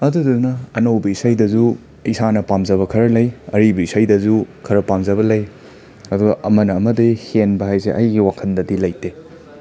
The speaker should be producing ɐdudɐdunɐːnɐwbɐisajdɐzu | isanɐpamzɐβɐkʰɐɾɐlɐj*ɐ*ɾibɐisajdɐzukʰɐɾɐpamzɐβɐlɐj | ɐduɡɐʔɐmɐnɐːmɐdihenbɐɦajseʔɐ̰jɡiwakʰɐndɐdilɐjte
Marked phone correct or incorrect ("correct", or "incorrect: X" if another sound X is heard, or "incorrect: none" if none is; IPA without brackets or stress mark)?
correct